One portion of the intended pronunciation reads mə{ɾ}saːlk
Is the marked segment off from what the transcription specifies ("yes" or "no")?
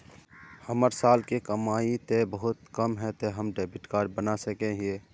no